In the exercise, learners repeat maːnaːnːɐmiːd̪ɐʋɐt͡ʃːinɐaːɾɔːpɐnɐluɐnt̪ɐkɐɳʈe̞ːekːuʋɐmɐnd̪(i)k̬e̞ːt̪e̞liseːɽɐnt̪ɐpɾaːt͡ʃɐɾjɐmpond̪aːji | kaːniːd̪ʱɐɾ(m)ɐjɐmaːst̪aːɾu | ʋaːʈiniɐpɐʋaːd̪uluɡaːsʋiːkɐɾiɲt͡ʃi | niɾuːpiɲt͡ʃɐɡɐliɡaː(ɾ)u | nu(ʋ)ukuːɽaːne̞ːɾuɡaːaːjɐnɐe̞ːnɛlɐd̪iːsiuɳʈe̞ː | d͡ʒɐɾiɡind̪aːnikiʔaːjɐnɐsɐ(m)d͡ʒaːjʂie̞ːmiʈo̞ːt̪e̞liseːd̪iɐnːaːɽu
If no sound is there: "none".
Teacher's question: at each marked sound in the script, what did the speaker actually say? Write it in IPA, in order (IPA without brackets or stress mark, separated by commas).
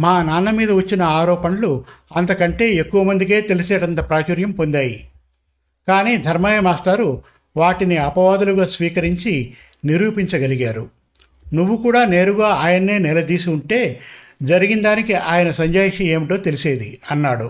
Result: i, m, ɾ, ʋː, ɲ